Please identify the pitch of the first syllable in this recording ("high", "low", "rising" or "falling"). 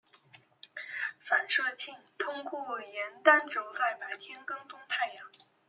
low